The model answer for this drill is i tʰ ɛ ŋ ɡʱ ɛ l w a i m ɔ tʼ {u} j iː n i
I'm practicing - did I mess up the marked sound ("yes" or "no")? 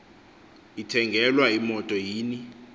yes